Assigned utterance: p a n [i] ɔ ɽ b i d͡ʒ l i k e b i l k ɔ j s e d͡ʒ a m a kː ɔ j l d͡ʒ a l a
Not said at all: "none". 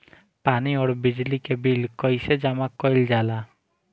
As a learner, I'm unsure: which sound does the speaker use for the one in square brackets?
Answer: i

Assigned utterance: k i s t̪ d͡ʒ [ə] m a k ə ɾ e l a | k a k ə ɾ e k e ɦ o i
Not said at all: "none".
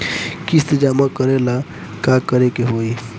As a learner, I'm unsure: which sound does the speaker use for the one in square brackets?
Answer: a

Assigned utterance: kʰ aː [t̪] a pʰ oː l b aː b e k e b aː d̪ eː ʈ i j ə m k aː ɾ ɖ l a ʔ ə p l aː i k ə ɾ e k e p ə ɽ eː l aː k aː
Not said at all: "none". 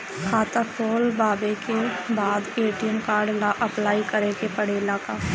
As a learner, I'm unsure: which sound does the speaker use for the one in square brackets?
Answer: t̪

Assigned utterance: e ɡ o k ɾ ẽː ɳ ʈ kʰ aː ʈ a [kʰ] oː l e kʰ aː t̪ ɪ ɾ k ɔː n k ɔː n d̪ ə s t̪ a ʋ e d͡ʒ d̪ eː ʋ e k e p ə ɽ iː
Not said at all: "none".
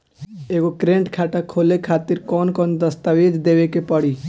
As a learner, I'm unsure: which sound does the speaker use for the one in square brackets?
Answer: kʰ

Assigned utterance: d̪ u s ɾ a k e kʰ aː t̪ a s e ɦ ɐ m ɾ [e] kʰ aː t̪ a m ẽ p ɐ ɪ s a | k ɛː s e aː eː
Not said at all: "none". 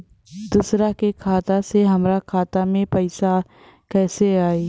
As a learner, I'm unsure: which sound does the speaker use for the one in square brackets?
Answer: a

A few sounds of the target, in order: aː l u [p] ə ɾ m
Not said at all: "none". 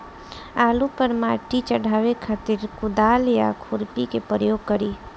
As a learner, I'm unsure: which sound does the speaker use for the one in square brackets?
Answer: p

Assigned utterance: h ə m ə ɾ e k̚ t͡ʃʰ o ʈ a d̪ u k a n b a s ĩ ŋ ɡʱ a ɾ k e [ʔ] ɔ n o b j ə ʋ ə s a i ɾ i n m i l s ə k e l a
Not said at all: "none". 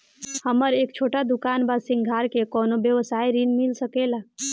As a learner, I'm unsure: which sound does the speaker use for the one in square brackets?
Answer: k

